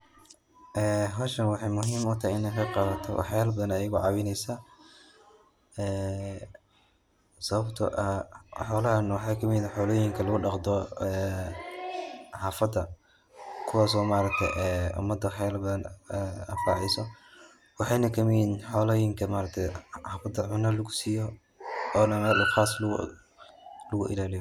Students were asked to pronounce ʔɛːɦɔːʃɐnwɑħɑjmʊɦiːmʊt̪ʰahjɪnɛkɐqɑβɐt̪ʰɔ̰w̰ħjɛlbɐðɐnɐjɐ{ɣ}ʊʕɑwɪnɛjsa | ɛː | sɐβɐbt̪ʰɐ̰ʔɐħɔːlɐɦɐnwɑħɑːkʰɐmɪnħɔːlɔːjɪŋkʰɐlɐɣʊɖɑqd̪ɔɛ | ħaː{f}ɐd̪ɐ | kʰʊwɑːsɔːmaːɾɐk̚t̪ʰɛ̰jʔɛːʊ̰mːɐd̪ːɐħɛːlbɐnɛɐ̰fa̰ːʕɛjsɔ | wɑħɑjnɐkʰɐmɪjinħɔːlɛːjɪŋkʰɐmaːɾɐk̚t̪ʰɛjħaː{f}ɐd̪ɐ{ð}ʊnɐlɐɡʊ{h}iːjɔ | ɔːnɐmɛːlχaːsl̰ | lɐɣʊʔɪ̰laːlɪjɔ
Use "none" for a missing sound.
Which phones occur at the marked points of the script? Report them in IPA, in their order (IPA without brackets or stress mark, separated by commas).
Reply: ɣ, f, f, ʕ, s